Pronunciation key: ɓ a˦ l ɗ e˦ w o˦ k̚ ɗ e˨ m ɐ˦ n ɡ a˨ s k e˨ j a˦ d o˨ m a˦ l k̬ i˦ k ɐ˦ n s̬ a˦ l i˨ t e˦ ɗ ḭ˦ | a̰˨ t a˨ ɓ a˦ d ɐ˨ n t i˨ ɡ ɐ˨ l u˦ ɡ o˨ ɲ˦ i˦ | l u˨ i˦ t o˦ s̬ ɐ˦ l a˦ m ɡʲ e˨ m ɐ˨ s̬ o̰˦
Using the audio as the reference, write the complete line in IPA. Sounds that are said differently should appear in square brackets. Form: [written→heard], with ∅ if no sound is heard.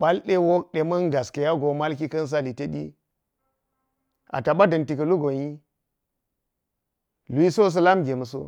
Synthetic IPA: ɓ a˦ l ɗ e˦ w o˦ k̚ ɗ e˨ m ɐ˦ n ɡ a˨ s k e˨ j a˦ [d→ɡ] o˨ m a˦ l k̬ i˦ k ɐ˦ n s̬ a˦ l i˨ t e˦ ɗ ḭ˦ | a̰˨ t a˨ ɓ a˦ d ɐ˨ n t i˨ [ɡ→k] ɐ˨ l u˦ ɡ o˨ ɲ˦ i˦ | l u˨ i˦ [t→s] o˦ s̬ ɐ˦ l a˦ m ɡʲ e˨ m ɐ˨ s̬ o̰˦